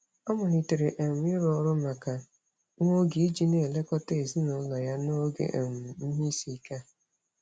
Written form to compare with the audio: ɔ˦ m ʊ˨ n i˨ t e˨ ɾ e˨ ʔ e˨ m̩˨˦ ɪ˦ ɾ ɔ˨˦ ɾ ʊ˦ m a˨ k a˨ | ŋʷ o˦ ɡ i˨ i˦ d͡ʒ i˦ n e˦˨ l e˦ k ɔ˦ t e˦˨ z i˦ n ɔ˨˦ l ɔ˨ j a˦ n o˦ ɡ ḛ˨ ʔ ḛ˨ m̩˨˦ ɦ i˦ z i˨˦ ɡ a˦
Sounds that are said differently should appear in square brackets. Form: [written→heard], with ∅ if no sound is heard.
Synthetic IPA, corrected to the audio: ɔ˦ m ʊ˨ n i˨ t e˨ ɾ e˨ ʔ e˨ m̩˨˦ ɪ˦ ɾ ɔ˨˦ ɾ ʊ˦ m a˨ k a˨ | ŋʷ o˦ ɡ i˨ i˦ d͡ʒ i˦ n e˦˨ l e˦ k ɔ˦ t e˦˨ z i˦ n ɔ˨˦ l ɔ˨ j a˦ n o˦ ɡ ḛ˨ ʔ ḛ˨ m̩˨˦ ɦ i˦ [z→s] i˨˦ [ɡ→k] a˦